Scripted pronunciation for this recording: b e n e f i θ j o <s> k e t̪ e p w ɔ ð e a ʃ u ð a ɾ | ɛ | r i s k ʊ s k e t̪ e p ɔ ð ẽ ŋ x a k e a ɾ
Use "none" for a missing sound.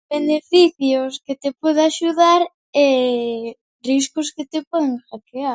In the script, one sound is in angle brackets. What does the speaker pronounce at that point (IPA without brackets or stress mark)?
s